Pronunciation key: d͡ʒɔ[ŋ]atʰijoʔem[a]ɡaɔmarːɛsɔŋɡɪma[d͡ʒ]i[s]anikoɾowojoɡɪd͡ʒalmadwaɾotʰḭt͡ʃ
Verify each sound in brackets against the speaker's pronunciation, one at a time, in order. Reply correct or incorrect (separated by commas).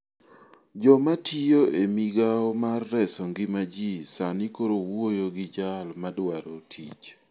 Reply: incorrect, incorrect, correct, correct